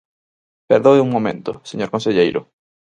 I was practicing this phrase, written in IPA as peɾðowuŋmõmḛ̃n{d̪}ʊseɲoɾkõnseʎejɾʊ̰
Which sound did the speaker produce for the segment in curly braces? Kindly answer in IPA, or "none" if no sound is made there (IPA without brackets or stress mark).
t̪